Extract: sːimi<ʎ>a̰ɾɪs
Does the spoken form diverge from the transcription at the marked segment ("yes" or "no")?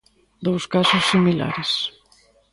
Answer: yes